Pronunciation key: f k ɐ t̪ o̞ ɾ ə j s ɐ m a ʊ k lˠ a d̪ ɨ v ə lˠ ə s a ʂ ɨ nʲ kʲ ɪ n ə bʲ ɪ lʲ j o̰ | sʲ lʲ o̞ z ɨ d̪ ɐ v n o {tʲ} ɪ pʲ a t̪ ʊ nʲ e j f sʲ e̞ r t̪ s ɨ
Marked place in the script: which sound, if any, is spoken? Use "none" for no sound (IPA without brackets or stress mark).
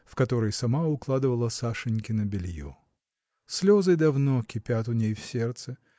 kʲ